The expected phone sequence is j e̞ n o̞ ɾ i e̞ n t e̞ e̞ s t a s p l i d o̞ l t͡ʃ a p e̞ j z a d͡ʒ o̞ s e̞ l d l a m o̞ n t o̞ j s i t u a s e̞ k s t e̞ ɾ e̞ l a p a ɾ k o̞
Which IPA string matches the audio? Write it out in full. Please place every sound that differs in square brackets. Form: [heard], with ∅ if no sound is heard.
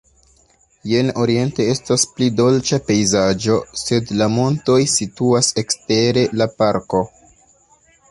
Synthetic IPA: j e̞ n o̞ ɾ i e̞ n t e̞ e̞ s t a s p l i d o̞ l t͡ʃ a p e̞ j z a d͡ʒ o̞ s e̞ [∅] d l a m o̞ n t o̞ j s i t u a s e̞ k s t e̞ ɾ e̞ l a p a ɾ k o̞